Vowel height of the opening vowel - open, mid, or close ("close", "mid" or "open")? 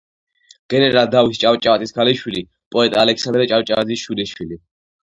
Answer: mid